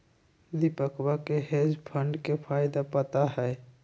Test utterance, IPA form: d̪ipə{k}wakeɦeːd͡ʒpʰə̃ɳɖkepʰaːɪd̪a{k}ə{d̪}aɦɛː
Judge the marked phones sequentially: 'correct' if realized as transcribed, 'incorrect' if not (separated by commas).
correct, incorrect, incorrect